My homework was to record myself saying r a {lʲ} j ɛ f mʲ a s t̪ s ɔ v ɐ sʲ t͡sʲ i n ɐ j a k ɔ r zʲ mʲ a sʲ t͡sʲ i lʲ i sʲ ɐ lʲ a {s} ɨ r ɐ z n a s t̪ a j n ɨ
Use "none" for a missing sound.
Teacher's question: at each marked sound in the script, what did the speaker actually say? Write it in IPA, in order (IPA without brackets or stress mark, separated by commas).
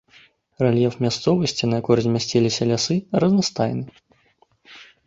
lʲ, s